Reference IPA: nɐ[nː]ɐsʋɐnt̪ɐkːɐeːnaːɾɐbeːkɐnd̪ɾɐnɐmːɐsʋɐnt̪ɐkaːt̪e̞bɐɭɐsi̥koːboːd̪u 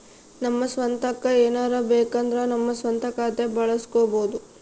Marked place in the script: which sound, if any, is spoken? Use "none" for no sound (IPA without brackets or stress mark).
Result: mː